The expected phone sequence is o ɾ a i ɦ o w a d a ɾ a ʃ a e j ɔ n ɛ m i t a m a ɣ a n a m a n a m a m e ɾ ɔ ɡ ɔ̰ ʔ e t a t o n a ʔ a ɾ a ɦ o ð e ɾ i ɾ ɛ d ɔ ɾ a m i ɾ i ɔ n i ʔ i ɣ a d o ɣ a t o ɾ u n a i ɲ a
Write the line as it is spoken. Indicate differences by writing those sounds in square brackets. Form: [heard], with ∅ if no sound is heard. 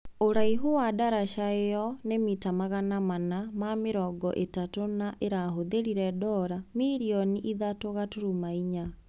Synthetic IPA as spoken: o ɾ a i ɦ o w a d a ɾ a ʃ a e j ɔ n [e] m i t a m a ɣ a n a m a n a m a m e ɾ ɔ ɡ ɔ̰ ʔ e t a t o n a ʔ [e] ɾ a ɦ o ð e ɾ i ɾ ɛ d ɔ ɾ a m i ɾ i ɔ n i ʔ i [ð] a [t] o ɣ a t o ɾ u [m] a i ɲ a